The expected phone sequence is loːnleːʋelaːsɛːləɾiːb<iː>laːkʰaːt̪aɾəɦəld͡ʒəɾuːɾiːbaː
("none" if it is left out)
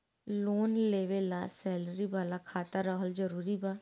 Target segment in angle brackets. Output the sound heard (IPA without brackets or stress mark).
aː